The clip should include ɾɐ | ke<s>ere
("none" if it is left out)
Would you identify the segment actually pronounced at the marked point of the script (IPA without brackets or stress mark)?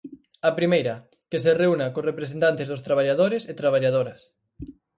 s